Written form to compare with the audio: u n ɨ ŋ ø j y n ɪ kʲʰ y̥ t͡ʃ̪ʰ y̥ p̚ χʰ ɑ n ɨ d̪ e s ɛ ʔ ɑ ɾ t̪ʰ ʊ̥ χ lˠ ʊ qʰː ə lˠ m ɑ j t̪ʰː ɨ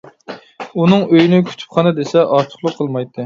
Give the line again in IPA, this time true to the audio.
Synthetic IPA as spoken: u n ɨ ŋ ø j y n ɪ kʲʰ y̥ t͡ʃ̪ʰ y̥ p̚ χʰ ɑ n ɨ d̪ e s ɛ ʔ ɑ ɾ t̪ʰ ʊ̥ χ lˠ ʊ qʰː ə lˠ m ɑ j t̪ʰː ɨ